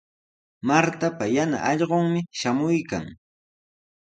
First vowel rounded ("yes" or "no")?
no